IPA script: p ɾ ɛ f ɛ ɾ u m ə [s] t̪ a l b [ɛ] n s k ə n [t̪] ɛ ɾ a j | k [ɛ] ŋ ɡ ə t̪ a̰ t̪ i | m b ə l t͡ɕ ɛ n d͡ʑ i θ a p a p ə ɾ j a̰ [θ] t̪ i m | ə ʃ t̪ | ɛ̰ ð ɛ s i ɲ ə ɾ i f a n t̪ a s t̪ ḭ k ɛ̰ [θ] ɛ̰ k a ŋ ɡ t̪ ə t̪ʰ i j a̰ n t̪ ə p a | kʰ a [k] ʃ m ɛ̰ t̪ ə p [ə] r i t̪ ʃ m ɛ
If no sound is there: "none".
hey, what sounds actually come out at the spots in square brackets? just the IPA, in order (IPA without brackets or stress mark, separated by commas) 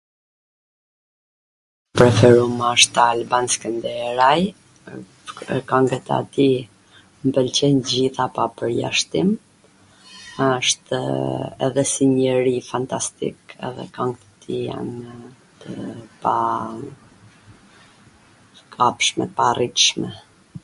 ʃ, a, d̪, a, ʃ, ð, p, a